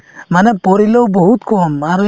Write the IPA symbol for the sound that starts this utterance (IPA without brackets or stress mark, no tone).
m